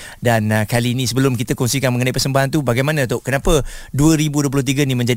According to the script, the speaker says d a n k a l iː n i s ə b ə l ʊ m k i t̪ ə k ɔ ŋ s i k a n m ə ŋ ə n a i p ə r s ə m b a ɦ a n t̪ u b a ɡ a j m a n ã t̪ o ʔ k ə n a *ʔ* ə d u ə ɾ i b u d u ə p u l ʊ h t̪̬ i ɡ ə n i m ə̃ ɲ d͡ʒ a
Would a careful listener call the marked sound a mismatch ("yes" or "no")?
yes